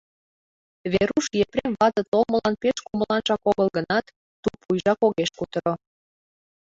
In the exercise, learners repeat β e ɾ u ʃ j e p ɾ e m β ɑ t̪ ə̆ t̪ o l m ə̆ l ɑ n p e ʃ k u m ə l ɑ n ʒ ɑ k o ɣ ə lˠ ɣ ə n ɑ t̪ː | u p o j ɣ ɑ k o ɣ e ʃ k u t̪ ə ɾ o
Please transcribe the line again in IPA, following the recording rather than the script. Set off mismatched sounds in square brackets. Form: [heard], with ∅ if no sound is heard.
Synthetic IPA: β e ɾ u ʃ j e p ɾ e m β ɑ t̪ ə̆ t̪ o l m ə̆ l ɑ n p e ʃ k u m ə l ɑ n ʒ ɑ k o ɣ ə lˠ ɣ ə n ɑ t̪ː | u p [u] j [ʒ] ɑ k o ɣ e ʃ k u t̪ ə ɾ o